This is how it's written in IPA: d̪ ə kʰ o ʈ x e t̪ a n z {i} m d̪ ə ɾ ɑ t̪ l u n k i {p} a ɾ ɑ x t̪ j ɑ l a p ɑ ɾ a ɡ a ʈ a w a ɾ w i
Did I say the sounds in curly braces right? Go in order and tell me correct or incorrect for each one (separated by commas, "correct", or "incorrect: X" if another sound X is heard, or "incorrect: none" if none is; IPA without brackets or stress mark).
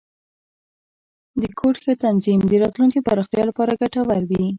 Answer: correct, correct